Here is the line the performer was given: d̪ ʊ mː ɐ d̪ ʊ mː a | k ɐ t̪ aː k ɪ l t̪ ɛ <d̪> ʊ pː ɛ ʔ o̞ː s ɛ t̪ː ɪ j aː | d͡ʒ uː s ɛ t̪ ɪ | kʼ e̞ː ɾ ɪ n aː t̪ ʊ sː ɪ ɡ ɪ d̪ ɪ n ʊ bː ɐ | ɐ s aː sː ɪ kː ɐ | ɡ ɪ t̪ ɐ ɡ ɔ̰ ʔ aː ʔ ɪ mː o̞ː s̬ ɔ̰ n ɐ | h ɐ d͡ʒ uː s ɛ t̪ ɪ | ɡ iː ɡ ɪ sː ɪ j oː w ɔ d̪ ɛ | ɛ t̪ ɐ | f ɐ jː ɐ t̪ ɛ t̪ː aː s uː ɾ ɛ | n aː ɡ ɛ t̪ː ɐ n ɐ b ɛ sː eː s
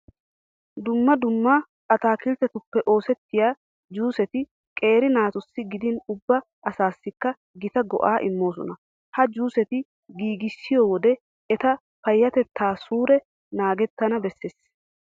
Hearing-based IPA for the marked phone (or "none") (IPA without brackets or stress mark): t̪